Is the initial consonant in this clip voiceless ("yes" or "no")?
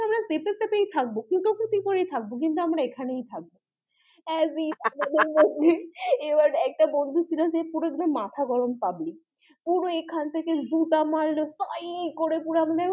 no